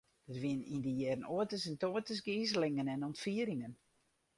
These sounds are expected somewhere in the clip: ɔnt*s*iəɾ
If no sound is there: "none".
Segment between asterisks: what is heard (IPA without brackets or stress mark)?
f